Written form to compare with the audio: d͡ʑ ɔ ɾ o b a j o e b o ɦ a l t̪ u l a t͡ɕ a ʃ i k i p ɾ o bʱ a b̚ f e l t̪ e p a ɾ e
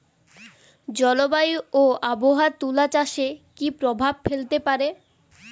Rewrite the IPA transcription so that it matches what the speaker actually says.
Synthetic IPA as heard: d͡ʑ ɔ l o b a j o a b o ɦ a ɾ t̪ u l a t͡ɕ a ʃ e k i p ɾ o bʱ a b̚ f e l t̪ e p a ɾ e